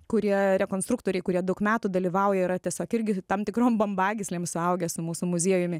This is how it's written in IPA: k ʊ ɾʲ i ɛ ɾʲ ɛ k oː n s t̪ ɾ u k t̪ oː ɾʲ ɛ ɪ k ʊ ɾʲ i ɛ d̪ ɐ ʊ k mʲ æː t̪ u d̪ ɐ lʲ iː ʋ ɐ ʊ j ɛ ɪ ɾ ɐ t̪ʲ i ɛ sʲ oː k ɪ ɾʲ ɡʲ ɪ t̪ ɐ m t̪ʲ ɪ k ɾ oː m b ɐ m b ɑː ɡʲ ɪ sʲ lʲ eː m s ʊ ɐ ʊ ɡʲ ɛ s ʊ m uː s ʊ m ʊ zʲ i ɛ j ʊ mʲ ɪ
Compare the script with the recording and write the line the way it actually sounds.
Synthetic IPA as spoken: k ʊ ɾʲ i ɛ ɾʲ ɛ k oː n s t̪ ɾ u k t̪ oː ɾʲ ɛ ɪ k ʊ ɾʲ i ɛ d̪ ɐ ʊ k mʲ æː t̪ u d̪ ɐ lʲ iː ʋ ɐ ʊ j ɛ ɪ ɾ ɐ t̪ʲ i ɛ sʲ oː k ɪ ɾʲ ɡʲ ɪ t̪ ɐ m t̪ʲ ɪ k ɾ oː m b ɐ m b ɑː ɡʲ ɪ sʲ lʲ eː m s ʊ ɐ ʊ ɡʲ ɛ s ʊ m uː s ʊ m ʊ zʲ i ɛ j ʊ mʲ ɪ